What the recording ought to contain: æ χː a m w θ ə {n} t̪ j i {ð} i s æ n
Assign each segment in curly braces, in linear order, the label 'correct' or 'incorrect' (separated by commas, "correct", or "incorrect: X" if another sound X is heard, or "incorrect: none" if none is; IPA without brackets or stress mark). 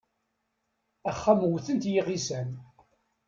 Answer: correct, incorrect: ʁ